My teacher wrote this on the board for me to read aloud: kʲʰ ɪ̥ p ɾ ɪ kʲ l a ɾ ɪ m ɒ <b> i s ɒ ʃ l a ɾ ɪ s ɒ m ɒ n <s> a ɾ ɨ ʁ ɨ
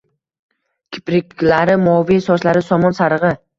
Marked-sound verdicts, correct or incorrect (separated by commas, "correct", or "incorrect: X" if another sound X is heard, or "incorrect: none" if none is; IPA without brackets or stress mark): incorrect: v, correct